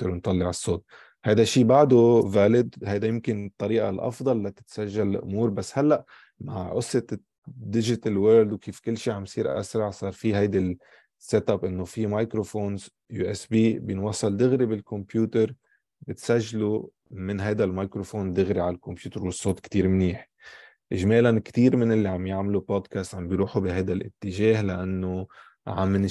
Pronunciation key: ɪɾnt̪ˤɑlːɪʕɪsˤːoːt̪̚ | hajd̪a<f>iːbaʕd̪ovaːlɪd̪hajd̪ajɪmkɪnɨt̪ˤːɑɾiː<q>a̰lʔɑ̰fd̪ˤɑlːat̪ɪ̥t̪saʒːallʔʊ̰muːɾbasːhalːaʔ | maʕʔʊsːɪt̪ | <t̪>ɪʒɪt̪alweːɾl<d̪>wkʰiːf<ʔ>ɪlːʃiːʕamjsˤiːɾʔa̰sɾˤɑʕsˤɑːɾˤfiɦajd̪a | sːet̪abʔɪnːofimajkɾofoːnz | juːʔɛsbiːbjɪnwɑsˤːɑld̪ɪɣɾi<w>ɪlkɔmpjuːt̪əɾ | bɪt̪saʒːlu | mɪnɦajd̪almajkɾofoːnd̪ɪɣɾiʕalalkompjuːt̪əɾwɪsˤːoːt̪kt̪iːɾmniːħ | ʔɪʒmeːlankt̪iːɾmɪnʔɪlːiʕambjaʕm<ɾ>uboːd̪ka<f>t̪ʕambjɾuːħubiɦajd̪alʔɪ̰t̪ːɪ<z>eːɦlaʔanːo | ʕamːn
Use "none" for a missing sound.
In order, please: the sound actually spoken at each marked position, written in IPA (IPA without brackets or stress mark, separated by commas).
ʃ, ʔ, d̪, d̪, k, b, l, s, ʒ